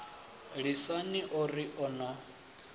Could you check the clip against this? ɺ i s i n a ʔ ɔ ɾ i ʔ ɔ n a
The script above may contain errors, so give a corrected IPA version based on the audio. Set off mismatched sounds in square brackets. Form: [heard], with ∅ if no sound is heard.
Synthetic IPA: ɺ i s [a] n [i] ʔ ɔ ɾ i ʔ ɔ n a